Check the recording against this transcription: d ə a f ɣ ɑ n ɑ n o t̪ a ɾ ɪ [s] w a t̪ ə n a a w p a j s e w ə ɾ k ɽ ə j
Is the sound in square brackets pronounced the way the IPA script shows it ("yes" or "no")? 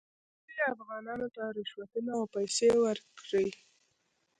no